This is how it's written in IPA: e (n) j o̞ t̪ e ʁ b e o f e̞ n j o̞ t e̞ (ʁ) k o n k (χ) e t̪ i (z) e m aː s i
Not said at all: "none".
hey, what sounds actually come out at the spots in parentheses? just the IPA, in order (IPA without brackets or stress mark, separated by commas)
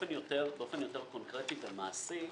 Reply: n, ʁ, ʁ, v